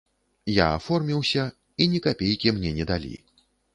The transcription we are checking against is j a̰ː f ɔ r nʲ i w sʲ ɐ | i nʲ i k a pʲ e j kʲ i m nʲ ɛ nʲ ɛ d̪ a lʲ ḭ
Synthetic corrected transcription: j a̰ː f ɔ r mʲ i w sʲ ɐ | i nʲ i k a pʲ e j kʲ i m nʲ ɛ nʲ ɛ d̪ a lʲ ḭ

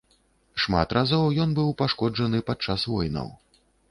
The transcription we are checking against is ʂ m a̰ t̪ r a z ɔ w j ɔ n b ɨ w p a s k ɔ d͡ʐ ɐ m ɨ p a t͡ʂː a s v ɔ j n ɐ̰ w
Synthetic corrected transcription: ʂ m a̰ t̪ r a z ɔ w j ɔ n b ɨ w p a ʂ k ɔ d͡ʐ ɐ n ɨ p a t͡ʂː a s v ɔ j n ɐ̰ w

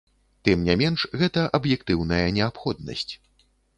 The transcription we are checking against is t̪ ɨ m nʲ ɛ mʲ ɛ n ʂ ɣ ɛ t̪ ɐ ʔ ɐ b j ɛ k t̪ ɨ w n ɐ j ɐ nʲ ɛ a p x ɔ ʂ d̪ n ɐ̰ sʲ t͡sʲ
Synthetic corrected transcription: t̪ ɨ m nʲ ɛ mʲ ɛ n ʂ ɣ ɛ t̪ ɐ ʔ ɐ b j ɛ k t̪ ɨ w n ɐ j ɐ nʲ ɛ a p x ɔ d̪ n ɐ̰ sʲ t͡sʲ

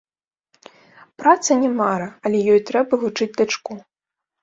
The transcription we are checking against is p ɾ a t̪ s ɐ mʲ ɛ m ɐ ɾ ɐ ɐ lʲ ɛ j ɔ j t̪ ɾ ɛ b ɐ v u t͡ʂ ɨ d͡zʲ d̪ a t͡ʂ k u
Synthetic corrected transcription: p ɾ a t̪ s ɐ nʲ ɛ m a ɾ ɐ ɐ lʲ ɛ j ɔ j t̪ ɾ ɛ b ɐ v u t͡ʂ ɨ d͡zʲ d̪ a t͡ʂ k u

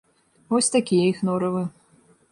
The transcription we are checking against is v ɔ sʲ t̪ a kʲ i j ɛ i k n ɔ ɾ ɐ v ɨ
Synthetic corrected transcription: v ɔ sʲ t̪ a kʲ i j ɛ i x n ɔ ɾ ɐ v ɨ

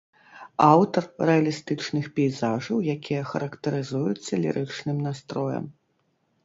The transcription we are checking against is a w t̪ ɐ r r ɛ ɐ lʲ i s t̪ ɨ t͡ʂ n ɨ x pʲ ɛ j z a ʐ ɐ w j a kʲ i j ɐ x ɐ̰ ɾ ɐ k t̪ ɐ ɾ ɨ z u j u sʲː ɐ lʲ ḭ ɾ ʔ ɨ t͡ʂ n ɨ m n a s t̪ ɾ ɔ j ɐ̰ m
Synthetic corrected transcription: a w t̪ ɐ r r ɛ ɐ lʲ i s t̪ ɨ t͡ʂ n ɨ x pʲ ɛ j z a ʐ ɐ w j a kʲ i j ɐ x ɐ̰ ɾ ɐ k t̪ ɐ ɾ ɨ z u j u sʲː ɐ lʲ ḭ ɾ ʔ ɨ t͡ʂ n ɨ m n a s t̪ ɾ ɔ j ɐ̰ m

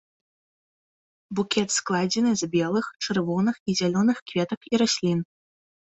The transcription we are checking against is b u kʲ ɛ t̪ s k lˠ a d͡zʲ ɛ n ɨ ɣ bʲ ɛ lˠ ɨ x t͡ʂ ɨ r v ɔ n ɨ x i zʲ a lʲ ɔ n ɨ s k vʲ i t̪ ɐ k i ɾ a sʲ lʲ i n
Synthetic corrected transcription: b u kʲ ɛ t̪ s k lˠ a d͡zʲ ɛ n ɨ z bʲ ɛ lˠ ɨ x t͡ʂ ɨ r v ɔ n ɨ x i zʲ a lʲ ɔ n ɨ x k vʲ ɛ t̪ ɐ k i ɾ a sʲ lʲ i n

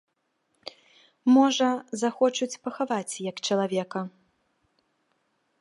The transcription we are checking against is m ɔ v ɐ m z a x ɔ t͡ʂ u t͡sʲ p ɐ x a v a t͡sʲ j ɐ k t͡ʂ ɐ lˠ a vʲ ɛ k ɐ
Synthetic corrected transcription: m ɔ ʐ ɐ z a x ɔ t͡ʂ u t͡sʲ p ɐ x a v a t͡sʲ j ɐ k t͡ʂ ɐ lˠ a vʲ ɛ k ɐ

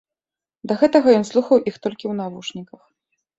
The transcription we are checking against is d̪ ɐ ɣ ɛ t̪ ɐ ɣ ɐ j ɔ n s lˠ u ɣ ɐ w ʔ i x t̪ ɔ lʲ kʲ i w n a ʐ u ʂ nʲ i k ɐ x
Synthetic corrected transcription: d̪ ɐ ɣ ɛ t̪ ɐ ɣ ɐ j ɔ n s lˠ u x ɐ w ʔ i x t̪ ɔ lʲ kʲ i w n a v u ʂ nʲ i k ɐ x

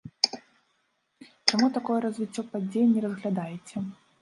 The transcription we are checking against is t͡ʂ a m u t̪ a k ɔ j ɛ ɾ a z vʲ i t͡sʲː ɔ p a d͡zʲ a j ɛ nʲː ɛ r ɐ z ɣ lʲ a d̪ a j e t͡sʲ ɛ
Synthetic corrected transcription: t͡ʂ a m u t̪ a k ɔ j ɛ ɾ ɐ z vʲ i t͡sʲː ɔ p a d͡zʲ e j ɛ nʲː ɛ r ɐ z ɣ lʲ a d̪ a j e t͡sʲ ɛ

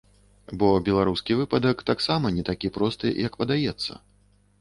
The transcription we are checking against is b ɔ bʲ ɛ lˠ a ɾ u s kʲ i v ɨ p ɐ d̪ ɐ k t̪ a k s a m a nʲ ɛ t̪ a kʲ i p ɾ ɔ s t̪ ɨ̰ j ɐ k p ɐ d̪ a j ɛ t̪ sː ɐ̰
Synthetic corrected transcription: b ɔ bʲ ɛ lˠ a ɾ u s kʲ i v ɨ p ɐ d̪ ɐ k t̪ a k s a m ɐ nʲ ɛ t̪ a kʲ i p ɾ ɔ s t̪ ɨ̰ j ɐ k p ɐ d̪ a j ɛ t̪ sː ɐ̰

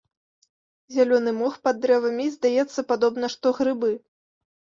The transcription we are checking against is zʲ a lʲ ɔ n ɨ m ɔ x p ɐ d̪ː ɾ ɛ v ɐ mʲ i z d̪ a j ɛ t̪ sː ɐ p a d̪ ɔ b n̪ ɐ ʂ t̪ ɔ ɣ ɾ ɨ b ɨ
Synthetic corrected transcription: zʲ a lʲ ɔ n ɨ m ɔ x p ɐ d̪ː ɾ ɛ v ɐ mʲ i z d̪ a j ɛ t̪ sː ɐ p a d̪ ɔ b n̪ ɐ ʂ t̪ ɔ ɣ ɾ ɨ b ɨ

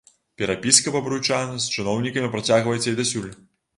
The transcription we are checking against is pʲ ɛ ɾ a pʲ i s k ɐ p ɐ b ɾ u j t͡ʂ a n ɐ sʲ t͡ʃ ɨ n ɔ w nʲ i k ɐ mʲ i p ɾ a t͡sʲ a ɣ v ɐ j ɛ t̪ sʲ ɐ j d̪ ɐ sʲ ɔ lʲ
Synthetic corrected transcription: pʲ ɛ ɾ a pʲ i s k ɐ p ɐ b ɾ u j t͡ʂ a n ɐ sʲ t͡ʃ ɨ n ɔ w nʲ i k ɐ mʲ i p ɾ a t͡sʲ a ɣ v ɐ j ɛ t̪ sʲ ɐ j d̪ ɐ sʲ u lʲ

